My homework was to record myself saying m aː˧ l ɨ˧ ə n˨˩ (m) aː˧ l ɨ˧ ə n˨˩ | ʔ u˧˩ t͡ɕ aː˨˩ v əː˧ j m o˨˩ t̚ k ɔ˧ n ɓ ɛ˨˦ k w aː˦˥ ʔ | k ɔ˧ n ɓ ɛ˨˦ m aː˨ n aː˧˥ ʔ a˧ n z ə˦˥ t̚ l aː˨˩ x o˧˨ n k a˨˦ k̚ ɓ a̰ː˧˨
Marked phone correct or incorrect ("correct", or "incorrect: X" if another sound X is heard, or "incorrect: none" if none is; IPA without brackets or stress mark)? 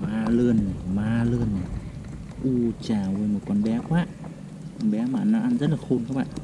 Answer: correct